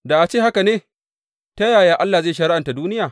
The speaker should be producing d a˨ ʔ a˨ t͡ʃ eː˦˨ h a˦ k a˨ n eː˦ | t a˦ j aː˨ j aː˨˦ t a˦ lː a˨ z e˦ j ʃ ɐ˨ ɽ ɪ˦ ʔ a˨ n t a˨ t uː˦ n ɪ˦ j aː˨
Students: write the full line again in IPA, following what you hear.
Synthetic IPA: d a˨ ʔ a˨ t͡ʃ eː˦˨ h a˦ k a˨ n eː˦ | t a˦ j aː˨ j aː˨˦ ʔ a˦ lː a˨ z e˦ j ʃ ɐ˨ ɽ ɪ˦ ʔ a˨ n t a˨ d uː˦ n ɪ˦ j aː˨